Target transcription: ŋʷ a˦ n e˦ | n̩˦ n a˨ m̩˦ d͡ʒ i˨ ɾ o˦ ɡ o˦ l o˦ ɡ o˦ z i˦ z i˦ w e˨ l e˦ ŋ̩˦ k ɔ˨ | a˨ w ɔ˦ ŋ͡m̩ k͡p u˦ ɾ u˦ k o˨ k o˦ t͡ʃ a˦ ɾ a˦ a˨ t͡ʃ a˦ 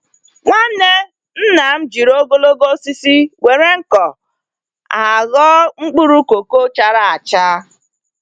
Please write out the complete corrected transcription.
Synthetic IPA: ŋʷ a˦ n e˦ | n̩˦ n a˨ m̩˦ d͡ʒ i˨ ɾ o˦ ɡ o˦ l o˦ ɡ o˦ s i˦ s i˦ w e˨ ɾ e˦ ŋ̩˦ k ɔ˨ | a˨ ɣ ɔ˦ ŋ͡m̩ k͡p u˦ ɾ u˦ k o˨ k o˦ t͡ʃ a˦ ɾ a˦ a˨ t͡ʃ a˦

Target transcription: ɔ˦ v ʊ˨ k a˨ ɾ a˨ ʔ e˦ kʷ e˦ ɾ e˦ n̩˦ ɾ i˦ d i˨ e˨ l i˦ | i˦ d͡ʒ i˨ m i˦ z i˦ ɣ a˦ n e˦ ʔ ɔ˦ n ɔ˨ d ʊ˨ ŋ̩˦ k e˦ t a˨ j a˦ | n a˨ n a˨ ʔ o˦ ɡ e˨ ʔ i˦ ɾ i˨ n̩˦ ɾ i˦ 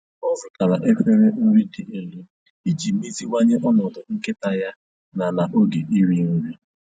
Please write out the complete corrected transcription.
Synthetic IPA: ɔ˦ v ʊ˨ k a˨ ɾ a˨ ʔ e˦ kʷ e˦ ɾ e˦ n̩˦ ɾ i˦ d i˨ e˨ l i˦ | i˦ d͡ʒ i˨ m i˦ z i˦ w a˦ ɲ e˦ ʔ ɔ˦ n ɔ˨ d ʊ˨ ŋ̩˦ k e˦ t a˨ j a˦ | n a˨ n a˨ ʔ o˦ ɡ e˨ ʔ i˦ ɾ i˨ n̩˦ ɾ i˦

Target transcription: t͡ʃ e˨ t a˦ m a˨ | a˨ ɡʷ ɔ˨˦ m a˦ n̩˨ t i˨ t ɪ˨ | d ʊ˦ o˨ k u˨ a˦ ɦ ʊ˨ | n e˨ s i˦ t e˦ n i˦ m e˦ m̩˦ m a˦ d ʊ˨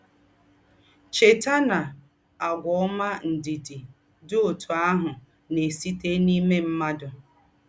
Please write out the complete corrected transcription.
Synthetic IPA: t͡ʃ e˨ t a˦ n a˨ | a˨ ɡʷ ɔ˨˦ m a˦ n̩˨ d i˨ d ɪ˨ | d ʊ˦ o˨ t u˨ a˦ ɦ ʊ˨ | n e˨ s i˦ t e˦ n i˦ m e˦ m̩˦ m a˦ d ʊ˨

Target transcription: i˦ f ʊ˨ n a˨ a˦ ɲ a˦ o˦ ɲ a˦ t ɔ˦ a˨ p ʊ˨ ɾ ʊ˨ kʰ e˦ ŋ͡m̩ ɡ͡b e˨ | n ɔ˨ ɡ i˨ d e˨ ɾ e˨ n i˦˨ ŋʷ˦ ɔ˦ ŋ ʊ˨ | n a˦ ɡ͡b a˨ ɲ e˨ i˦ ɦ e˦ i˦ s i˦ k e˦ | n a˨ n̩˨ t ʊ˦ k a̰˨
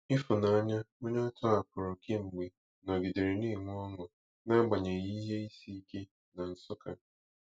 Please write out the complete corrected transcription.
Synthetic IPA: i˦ f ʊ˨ n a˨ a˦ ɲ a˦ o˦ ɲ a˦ t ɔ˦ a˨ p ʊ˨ ɾ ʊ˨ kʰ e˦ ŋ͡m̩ ɡ͡b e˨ | n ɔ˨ ɡ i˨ d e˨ ɾ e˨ n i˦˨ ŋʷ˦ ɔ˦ ŋ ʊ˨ | n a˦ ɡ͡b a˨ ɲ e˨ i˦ ɦ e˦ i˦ s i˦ k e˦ | n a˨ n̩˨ s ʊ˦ k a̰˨

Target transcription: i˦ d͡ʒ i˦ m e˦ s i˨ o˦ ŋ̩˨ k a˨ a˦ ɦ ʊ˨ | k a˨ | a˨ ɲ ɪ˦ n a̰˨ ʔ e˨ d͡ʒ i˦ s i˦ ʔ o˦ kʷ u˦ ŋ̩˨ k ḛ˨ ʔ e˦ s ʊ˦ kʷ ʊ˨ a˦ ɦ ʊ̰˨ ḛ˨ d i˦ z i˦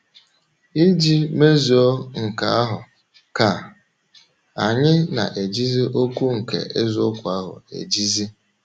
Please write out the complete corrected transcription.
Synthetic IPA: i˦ d͡ʒ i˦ m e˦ z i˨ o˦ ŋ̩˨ k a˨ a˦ ɦ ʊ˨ | k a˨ | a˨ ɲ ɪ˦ n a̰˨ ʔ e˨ d͡ʒ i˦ z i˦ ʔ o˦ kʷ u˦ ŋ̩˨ k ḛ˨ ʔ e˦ z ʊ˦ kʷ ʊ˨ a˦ ɦ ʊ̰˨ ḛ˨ d͡ʒ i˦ z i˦

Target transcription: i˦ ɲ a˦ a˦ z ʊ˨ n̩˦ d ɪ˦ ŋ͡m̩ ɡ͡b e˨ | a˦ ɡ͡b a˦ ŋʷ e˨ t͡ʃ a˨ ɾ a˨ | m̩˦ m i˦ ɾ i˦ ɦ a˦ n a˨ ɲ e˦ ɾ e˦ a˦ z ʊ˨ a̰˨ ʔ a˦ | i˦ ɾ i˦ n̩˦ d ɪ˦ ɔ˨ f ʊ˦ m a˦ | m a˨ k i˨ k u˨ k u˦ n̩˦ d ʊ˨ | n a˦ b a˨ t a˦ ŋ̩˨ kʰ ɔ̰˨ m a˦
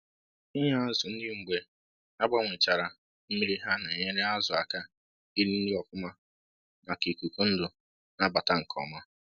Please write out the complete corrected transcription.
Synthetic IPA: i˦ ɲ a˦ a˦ z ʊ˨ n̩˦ d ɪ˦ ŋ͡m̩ ɡ͡b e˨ | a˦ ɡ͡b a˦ ŋʷ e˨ t͡ʃ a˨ ɾ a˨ | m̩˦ m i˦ ɾ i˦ ɦ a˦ n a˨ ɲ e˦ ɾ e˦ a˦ z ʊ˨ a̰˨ k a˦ | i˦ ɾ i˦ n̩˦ d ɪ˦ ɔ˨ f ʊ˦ m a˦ | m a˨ k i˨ k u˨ k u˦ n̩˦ d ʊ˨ | n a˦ b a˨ t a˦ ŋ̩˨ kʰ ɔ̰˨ m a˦

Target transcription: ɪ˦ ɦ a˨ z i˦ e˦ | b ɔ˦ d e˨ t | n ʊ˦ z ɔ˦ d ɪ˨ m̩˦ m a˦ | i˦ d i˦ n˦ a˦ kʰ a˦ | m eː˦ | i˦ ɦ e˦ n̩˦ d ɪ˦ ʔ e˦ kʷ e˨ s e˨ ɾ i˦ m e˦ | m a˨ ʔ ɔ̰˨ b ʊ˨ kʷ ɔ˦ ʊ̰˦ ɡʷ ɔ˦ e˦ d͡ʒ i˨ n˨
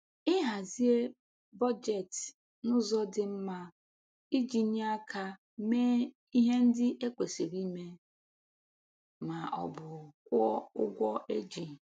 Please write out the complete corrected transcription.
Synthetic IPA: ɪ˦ ɦ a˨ z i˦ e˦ | b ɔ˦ d͡ʒ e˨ t | n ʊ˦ z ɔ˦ d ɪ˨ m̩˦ m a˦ | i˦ d͡ʒ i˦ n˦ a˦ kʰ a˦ | m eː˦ | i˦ ɦ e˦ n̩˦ d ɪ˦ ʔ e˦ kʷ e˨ s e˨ ɾ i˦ m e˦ | m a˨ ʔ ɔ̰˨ b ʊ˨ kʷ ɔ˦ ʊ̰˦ ɡʷ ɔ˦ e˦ d͡ʒ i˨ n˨

